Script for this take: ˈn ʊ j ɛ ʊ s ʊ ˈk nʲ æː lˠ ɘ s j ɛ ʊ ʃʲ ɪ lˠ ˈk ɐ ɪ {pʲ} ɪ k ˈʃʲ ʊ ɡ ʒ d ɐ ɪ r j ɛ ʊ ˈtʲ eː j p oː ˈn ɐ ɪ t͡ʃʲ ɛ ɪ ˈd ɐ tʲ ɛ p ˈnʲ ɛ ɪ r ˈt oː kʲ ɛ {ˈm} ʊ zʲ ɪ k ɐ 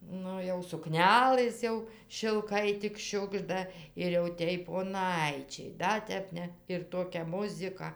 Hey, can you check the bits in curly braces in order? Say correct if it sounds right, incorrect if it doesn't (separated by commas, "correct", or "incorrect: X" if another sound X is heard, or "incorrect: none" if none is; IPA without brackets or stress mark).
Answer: incorrect: tʲ, correct